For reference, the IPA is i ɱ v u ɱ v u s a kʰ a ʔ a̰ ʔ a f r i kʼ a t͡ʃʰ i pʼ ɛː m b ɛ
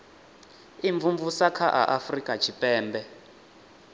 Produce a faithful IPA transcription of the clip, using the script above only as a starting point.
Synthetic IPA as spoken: i ɱ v u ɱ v u s a kʰ a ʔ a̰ ʔ a f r i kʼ a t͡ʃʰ i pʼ ɛː m b ɛ